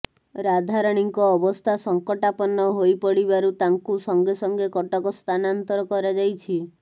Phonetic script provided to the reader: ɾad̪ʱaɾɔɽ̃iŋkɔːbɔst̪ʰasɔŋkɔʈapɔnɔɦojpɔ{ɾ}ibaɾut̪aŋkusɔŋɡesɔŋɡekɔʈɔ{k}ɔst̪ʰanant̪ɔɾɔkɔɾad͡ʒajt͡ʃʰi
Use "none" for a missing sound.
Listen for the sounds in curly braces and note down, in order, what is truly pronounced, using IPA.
ɽ, k

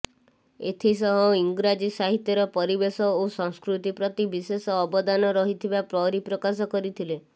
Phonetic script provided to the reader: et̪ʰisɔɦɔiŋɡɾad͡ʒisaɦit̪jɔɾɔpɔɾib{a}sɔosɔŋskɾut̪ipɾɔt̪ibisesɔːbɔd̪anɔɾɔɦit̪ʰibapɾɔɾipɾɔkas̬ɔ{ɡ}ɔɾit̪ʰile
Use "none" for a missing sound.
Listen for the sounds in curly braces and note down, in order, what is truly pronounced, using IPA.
e, k

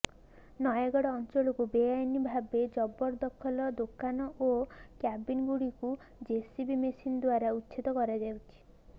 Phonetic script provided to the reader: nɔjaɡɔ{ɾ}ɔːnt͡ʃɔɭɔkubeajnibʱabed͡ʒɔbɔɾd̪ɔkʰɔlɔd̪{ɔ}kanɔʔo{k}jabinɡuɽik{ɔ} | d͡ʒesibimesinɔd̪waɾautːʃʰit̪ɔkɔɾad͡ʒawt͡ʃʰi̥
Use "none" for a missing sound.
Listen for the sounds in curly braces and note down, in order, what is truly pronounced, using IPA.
ɽ, o, k, u

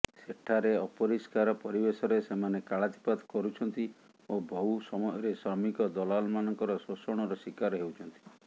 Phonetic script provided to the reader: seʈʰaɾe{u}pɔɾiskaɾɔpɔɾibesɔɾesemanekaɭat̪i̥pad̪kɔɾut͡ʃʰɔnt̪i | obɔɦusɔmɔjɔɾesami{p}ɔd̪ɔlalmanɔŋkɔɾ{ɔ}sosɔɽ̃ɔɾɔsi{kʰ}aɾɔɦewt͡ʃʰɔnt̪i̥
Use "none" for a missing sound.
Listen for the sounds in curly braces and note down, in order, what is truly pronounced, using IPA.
ɔ, k, ɔ, k

